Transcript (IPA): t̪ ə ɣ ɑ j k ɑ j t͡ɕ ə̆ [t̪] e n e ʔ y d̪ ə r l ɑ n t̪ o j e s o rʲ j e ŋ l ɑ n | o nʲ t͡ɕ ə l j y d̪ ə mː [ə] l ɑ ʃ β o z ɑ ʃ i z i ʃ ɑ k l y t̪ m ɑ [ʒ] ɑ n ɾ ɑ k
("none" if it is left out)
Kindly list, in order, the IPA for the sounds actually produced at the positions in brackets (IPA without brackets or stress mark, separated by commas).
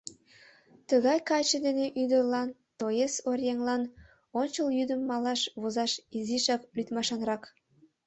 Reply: d̪, ɑ, ʃ